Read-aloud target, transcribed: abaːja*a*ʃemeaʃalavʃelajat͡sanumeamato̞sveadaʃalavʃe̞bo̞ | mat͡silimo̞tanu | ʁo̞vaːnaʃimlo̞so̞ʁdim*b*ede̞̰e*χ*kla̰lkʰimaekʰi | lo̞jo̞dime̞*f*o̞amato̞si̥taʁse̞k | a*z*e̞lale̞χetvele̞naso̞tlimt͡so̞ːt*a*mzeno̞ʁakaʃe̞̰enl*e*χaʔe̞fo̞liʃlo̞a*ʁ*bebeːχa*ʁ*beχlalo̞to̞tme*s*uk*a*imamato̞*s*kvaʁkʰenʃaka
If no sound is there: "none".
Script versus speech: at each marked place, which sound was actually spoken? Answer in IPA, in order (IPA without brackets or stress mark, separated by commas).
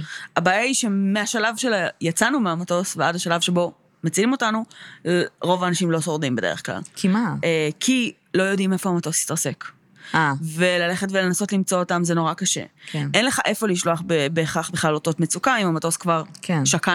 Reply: i, b, χ, f, v, a, e, χ, χ, t͡s, a, s